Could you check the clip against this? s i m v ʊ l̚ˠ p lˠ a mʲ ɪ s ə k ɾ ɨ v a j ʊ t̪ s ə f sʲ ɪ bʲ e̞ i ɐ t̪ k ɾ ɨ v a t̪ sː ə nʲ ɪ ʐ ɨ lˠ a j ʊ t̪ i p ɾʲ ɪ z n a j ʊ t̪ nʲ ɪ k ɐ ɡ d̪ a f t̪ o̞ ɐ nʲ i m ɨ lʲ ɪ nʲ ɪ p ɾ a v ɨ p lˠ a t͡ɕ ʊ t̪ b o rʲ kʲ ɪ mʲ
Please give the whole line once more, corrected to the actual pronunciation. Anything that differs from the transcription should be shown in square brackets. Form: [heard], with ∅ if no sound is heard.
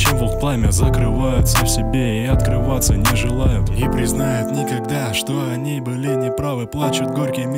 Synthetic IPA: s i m v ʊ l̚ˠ p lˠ a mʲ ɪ [z] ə k ɾ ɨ v a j ʊ t̪ s ə f sʲ ɪ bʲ e̞ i ɐ t̪ k ɾ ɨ v a t̪ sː ə nʲ ɪ ʐ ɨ lˠ a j ʊ t̪ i p ɾʲ ɪ z n a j ʊ t̪ nʲ ɪ k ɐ ɡ d̪ a [ʂ] t̪ o̞ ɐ nʲ i [b] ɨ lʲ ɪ nʲ ɪ p ɾ a v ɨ p lˠ a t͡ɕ ʊ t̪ [ɡ] o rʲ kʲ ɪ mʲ